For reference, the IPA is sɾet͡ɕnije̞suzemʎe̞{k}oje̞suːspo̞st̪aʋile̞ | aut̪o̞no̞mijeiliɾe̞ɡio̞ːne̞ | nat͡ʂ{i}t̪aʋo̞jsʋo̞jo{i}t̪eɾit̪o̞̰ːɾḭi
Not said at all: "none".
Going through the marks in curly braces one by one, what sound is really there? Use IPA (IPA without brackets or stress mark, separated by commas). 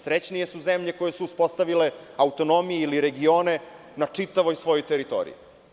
k, i, j